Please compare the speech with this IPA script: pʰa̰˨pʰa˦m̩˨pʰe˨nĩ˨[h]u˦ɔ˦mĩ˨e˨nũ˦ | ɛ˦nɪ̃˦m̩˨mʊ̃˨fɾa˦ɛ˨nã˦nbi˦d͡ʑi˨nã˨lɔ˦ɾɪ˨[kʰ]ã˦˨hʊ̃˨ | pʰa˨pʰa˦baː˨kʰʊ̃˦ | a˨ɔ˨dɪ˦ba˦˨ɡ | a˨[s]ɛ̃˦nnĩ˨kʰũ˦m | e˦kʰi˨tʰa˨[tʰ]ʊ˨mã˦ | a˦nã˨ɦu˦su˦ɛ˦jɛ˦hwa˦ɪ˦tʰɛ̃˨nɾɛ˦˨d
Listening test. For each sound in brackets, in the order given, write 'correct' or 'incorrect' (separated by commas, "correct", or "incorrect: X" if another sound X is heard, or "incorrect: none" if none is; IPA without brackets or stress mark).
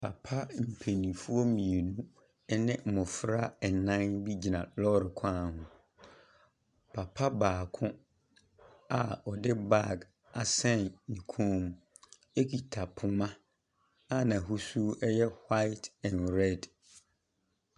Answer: incorrect: f, correct, correct, incorrect: pʰ